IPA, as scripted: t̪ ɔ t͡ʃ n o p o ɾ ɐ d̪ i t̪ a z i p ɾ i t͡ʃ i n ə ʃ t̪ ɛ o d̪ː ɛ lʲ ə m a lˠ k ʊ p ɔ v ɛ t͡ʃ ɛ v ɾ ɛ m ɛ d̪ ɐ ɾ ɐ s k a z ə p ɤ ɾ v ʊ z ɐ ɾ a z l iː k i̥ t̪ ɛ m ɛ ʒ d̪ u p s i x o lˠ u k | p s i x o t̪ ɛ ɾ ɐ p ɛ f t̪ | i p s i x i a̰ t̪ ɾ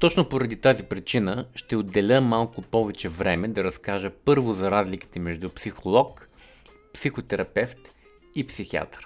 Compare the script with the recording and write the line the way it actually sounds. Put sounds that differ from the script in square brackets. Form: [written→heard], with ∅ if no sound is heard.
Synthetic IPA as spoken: t̪ ɔ t͡ʃ n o p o ɾ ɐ d̪ i t̪ a z i p ɾ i t͡ʃ i n ə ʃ t̪ ɛ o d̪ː ɛ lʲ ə m a lˠ k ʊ p ɔ v ɛ t͡ʃ ɛ v ɾ ɛ m ɛ d̪ ɐ ɾ ɐ s k a [z→ʒ] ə p ɤ ɾ v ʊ z ɐ ɾ a z l [iː→i] k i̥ t̪ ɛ m ɛ ʒ d̪ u p s i x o lˠ [u→ɔ] k | p s i x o t̪ ɛ ɾ ɐ p ɛ f t̪ | i p s i x i a̰ t̪ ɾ